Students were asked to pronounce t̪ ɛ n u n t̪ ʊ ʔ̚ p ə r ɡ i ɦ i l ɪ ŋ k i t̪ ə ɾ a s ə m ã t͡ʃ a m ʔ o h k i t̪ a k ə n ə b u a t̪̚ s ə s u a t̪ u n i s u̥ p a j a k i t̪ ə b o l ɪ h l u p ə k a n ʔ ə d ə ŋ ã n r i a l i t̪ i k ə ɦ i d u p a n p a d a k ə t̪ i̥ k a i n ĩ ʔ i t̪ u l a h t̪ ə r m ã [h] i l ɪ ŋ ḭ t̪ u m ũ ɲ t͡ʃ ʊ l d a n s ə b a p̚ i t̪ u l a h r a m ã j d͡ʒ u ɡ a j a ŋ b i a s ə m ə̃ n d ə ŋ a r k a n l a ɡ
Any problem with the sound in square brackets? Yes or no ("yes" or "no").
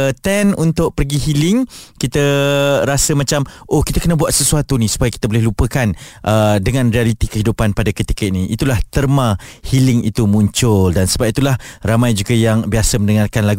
no